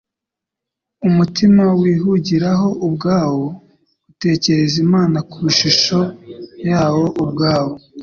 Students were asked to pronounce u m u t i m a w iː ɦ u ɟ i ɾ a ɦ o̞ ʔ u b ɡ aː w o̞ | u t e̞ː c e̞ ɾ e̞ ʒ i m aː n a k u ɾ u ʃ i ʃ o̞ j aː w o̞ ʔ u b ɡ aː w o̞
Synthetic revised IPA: u m u t i m a w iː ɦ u ɟ i ɾ a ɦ o̞ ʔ u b ɡ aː w o̞ | u t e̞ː c e̞ ɾ e̞ z i m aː n a k u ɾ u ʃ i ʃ o̞ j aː w o̞ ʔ u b ɡ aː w o̞

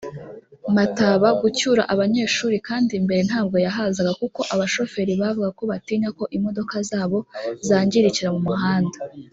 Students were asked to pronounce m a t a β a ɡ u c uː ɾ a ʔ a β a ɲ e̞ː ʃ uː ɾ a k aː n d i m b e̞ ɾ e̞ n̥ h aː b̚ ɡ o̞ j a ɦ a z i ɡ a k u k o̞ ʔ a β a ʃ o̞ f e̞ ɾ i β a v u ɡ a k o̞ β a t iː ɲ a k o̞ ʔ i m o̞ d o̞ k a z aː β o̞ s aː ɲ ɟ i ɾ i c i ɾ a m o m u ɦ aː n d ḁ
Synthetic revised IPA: m a t a β a ɡ u c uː ɾ a ʔ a β a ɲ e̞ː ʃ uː ɾ i k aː n d i m b e̞ ɾ e̞ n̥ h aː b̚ ɡ o̞ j a ɦ a z a ɡ a k u k o̞ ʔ a β a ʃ o̞ f e̞ ɾ i β a v u ɡ a k o̞ β a t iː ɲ a k o̞ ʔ i m o̞ d o̞ k a z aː β o̞ z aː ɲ ɟ i ɾ i c i ɾ a m u m u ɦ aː n d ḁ

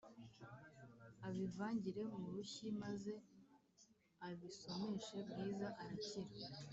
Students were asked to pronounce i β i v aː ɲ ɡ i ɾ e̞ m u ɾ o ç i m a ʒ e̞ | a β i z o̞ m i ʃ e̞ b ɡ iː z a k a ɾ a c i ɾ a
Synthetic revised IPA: a β i v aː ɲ ɟ i ɾ e̞ m u ɾ u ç i m a z e̞ | a β i s o̞ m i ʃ e̞ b ɡ iː z a ʔ a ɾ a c i ɾ a

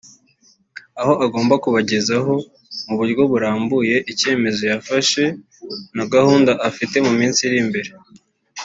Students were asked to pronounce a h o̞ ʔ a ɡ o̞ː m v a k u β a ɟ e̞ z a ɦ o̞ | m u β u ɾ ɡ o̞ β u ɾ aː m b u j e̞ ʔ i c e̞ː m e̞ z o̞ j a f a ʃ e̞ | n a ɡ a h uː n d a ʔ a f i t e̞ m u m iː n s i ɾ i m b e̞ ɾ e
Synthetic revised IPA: a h o̞ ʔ a ɡ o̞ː m b a k u β a ɟ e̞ z a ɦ o̞ | m u β u ɾ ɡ o̞ β u ɾ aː m b u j e̞ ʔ i c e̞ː m e̞ z o̞ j a f a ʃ e̞ | n a ɡ a h uː n d a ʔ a f i t e̞ m u m iː n s i ɾ i m b e̞ ɾ e

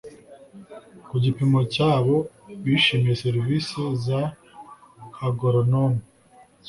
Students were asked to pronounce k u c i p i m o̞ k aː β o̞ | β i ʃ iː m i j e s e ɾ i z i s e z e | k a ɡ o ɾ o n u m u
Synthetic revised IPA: k u ɟ i p i m o̞ c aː β o̞ | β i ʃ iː m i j e s e ɾ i v i s e z a | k a ɡ o ɾ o n o m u

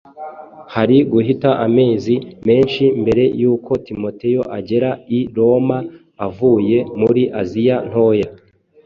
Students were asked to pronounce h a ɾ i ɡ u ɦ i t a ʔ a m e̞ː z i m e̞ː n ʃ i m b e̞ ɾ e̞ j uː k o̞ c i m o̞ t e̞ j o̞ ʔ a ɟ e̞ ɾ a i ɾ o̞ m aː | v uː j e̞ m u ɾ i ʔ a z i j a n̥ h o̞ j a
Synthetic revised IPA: h a ɾ i ɡ u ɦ i t a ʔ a m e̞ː z i m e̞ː n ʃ i m b e̞ ɾ e̞ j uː k o̞ t i m o̞ t e̞ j o̞ ʔ a ɟ e̞ ɾ a i ɾ o̞ m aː | v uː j e̞ m u ɾ i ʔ a z i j a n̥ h o̞ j a

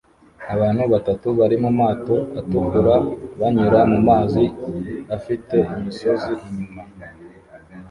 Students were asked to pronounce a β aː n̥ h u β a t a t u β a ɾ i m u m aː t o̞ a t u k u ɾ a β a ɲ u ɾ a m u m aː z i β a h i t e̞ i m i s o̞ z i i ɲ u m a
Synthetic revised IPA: a β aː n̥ h u β a t a t u β a ɾ i m u m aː t o̞ a t u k u ɾ a β a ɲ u ɾ a m u m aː z i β a f i t e̞ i m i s o̞ z i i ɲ u m a

